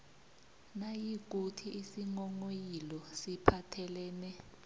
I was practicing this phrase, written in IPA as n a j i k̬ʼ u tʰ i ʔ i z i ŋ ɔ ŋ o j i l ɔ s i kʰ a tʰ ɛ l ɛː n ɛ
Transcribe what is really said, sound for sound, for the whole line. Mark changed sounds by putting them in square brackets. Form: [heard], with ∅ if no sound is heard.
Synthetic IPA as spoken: n a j i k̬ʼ u tʰ i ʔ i [s] i ŋ ɔ ŋ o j i l ɔ s i [pʰ] a tʰ ɛ l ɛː n ɛ